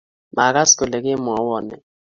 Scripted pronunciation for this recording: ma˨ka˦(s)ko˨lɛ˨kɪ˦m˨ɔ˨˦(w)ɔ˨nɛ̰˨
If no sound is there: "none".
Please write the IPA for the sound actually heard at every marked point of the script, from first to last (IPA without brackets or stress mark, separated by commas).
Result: s, w